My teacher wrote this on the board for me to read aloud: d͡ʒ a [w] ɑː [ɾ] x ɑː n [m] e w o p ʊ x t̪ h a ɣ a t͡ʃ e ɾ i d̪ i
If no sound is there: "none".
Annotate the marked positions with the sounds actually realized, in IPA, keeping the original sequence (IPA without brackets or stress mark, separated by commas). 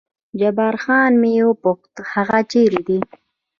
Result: b, ɾ, m